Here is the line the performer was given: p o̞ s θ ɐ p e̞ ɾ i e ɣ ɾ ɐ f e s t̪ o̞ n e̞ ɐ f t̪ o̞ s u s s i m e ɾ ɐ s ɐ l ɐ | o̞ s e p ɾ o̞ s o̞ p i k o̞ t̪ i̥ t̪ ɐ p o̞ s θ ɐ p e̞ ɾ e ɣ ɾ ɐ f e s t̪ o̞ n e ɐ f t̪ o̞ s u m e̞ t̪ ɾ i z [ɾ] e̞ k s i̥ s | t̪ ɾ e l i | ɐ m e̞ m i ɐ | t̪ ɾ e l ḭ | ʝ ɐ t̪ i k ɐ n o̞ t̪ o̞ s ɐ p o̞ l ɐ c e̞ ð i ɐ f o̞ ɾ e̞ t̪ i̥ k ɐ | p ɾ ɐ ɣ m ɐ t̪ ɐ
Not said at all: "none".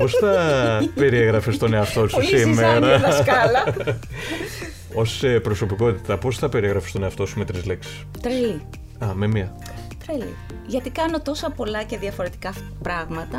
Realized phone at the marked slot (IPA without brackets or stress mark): l